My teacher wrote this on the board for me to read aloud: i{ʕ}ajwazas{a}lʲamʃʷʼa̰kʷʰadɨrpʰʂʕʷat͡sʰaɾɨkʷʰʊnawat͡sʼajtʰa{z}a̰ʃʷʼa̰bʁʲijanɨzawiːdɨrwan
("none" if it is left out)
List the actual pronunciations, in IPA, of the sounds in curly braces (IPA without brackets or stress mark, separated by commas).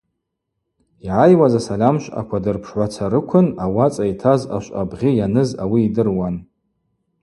ʕ, a, z